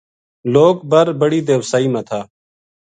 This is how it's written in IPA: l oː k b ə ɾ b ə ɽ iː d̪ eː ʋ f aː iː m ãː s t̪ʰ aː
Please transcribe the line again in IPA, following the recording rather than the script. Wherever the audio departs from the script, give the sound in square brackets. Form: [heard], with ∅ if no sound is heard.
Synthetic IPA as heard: l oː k b ə ɾ b ə ɽ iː d̪ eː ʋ [s] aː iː m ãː [∅] t̪ʰ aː